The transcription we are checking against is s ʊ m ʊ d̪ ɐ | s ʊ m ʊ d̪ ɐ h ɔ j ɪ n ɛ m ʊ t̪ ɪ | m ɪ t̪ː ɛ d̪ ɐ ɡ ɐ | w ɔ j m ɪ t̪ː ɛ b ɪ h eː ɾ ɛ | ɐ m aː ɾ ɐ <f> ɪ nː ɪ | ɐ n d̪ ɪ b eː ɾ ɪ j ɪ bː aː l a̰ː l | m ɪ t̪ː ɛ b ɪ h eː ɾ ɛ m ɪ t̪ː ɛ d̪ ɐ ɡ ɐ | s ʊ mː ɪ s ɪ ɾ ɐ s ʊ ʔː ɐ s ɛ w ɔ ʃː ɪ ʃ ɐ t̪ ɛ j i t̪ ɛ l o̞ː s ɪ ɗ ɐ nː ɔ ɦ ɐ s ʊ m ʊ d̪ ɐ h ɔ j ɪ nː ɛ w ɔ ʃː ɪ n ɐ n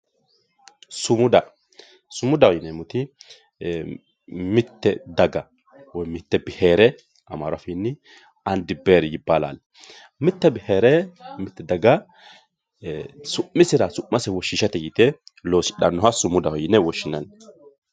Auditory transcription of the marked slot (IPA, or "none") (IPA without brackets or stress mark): f